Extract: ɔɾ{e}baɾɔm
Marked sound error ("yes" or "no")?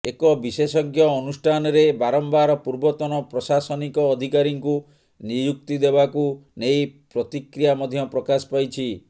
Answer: no